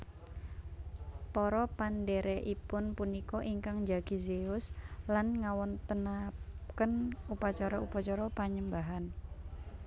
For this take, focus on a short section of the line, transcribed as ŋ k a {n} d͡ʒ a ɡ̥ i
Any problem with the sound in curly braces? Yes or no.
yes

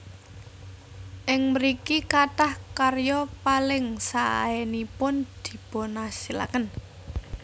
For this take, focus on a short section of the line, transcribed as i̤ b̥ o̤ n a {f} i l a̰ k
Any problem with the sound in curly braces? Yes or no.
yes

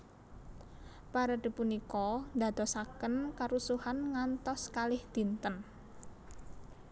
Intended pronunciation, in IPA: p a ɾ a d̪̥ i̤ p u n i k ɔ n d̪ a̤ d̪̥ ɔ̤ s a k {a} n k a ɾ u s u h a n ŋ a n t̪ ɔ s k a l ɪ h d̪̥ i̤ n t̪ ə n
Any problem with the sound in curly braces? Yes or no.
yes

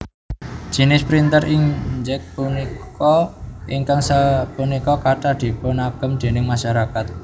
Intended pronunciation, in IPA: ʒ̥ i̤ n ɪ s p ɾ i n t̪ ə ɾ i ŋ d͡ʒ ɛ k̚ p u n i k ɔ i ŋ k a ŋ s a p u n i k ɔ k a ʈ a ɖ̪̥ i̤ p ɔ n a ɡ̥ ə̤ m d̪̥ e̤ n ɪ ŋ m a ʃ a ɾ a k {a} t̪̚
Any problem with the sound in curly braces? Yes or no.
no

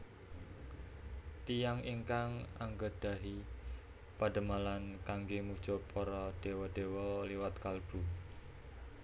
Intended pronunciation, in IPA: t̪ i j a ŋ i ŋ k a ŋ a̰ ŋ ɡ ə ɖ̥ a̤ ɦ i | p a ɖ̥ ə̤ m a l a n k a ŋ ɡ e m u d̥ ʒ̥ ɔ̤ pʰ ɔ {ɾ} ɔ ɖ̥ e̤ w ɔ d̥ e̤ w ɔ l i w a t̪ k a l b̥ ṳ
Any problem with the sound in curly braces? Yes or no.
no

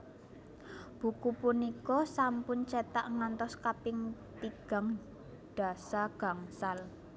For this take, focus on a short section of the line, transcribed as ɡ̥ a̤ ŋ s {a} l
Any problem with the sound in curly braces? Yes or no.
no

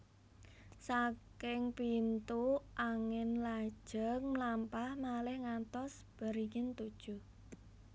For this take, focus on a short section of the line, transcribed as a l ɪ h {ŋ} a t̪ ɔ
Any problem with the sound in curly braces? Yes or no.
no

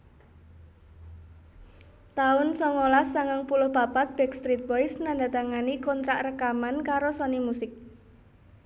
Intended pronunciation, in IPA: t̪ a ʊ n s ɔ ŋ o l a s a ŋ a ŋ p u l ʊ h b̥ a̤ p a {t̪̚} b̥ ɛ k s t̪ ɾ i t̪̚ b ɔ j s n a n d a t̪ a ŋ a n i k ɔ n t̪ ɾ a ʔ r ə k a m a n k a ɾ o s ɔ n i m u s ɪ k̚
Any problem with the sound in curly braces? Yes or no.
no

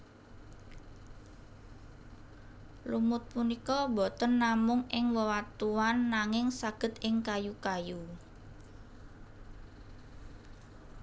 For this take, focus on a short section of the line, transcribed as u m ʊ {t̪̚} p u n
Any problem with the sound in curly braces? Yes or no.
no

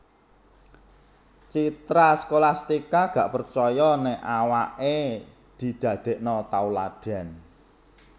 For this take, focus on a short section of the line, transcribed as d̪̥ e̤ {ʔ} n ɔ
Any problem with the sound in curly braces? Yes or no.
no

